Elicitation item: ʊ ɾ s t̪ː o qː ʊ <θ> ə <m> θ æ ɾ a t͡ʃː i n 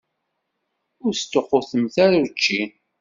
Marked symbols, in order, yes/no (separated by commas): yes, yes